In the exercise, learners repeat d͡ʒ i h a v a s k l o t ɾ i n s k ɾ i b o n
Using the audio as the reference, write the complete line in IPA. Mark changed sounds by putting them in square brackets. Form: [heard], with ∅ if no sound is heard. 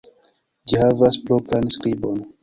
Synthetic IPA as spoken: d͡ʒ i h a v a s [p] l o [p] ɾ [a] n s k ɾ i b o n